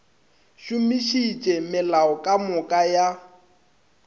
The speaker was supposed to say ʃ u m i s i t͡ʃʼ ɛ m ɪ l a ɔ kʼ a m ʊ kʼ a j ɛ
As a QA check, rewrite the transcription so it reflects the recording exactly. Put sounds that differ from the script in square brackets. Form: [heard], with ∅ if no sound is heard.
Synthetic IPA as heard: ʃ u m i [ʃ] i t͡ʃʼ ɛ m ɪ l a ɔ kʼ a m ʊ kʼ a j [a]